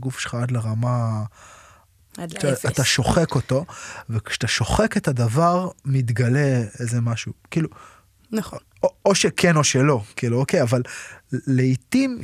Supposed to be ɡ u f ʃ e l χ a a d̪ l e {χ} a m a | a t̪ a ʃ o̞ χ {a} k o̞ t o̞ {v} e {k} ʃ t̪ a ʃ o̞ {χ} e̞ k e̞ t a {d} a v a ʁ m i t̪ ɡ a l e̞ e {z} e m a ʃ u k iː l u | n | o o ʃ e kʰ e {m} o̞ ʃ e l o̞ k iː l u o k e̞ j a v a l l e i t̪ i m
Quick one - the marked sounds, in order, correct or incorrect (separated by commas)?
incorrect, incorrect, correct, correct, correct, correct, correct, incorrect